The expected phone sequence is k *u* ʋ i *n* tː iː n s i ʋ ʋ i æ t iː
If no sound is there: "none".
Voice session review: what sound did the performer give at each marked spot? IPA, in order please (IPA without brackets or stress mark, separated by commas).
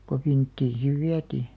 o, n